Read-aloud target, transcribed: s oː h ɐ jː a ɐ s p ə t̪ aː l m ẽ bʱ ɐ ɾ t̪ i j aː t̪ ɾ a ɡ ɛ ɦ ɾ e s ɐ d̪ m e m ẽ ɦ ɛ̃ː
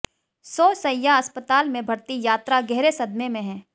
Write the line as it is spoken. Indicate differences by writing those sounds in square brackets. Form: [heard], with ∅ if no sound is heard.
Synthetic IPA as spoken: s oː [s] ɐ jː a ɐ s p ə t̪ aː l m ẽ bʱ ɐ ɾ t̪ i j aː t̪ ɾ a ɡ ɛ ɦ ɾ e s ɐ d̪ m e m ẽ ɦ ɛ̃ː